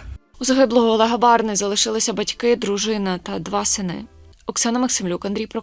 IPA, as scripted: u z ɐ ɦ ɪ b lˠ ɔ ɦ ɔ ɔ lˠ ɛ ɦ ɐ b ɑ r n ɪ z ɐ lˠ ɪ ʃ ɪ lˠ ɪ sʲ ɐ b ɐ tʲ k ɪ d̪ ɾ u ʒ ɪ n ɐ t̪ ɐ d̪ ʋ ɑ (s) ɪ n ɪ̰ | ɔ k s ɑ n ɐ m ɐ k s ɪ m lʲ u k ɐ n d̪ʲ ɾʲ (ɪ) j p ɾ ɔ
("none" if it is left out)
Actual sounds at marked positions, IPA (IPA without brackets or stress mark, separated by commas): s, i